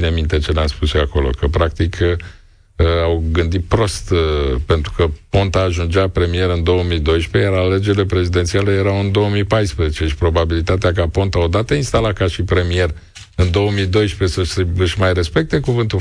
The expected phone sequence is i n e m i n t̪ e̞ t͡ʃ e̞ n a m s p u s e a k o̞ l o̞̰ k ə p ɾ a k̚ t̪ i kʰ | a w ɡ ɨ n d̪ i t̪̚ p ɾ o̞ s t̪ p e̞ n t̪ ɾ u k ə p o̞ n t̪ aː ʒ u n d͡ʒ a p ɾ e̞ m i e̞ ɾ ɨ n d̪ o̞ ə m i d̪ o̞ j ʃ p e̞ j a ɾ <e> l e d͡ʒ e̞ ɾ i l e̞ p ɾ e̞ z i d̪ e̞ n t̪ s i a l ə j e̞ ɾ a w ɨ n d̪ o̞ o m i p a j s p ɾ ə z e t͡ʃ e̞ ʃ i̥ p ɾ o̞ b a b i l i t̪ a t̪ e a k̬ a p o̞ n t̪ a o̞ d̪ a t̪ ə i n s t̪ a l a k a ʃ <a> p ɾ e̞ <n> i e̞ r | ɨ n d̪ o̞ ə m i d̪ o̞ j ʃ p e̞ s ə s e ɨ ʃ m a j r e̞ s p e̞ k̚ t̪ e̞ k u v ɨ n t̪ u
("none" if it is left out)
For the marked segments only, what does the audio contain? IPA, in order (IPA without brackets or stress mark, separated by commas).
a, i, m